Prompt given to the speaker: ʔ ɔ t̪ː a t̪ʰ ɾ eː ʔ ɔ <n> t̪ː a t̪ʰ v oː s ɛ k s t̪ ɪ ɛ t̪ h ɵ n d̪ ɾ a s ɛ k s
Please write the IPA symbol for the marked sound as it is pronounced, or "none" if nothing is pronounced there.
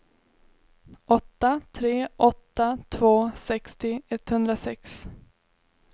none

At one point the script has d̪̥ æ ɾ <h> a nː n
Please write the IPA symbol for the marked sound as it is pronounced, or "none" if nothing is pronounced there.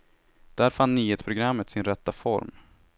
f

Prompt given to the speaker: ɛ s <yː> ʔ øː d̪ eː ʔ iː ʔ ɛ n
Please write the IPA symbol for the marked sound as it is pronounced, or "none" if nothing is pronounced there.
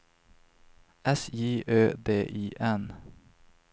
iː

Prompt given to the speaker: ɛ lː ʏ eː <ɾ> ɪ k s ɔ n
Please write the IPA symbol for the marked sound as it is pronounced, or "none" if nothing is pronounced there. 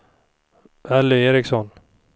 ɾ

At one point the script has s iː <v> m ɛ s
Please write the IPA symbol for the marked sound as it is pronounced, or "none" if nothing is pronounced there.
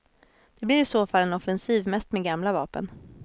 v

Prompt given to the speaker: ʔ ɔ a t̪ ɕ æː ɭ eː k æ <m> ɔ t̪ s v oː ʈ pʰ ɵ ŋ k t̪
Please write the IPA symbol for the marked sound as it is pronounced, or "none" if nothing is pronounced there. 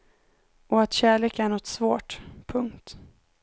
ɳ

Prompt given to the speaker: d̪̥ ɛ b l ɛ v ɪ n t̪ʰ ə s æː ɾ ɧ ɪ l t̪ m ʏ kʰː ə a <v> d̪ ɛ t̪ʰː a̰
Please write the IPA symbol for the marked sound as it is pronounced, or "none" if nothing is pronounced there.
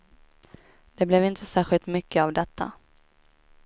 v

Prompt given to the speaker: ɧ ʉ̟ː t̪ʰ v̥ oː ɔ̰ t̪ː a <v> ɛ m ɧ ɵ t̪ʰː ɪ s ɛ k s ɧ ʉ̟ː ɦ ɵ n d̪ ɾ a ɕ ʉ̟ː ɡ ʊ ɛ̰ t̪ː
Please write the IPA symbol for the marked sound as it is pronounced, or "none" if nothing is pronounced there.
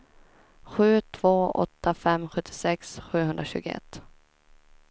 f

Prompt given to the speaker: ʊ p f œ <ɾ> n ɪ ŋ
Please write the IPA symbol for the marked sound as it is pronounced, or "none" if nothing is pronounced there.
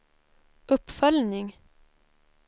l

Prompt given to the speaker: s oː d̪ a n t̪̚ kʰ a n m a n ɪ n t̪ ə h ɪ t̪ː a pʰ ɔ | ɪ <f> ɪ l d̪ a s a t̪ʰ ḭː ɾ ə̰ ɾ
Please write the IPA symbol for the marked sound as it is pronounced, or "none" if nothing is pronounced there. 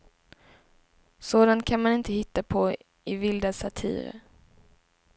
v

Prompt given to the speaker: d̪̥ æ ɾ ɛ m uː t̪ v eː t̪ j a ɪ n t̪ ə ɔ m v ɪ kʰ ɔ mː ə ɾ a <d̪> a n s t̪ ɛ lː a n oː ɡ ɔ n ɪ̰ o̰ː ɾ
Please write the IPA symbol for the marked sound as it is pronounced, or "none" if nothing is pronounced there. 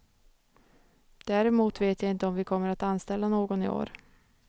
t̪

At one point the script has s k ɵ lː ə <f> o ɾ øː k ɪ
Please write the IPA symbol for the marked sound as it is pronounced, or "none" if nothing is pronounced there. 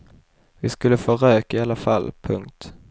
f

